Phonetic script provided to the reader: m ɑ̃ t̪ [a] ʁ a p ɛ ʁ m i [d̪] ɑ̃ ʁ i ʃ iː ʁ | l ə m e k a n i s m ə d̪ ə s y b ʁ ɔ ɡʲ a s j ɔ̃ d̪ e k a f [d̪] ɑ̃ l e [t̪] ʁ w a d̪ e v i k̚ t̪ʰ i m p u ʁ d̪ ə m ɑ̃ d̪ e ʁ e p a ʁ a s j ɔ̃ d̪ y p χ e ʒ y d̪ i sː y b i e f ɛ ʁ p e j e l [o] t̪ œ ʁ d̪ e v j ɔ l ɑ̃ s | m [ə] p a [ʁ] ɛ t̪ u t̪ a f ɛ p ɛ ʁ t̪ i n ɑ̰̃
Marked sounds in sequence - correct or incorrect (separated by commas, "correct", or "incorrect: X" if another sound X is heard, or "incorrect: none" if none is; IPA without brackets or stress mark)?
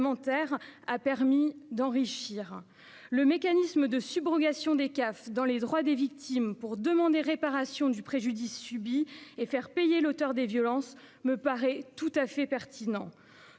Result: incorrect: ɛ, correct, correct, incorrect: d̪, correct, correct, correct